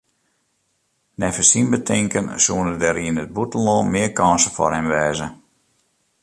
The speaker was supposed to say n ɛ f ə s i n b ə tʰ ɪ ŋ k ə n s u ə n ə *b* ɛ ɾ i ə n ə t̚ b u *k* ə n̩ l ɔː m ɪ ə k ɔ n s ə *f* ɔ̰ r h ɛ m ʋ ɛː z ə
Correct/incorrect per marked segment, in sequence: incorrect, incorrect, correct

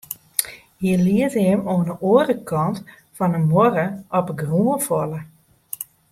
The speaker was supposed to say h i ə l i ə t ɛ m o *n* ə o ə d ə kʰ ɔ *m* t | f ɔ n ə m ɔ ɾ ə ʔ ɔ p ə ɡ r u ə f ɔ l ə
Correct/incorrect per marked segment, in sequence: correct, incorrect

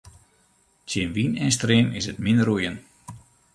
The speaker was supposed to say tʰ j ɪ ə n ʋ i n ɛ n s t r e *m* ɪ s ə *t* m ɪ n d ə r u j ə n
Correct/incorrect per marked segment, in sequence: correct, correct

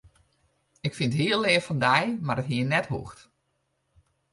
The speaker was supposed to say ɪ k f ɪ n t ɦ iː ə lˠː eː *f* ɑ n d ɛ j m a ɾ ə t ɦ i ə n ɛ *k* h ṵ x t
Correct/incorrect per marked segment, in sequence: correct, incorrect

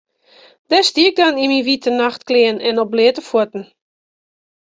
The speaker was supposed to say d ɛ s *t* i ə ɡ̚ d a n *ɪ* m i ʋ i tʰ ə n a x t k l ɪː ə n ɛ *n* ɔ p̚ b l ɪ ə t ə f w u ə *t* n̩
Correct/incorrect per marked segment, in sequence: correct, incorrect, correct, correct

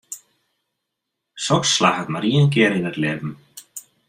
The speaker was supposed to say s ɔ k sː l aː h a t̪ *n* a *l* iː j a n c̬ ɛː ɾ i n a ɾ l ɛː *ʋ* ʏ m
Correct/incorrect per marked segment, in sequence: incorrect, incorrect, incorrect

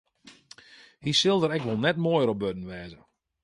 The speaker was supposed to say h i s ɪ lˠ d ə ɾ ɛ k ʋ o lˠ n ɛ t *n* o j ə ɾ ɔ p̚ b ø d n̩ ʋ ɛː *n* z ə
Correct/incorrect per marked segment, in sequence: incorrect, incorrect

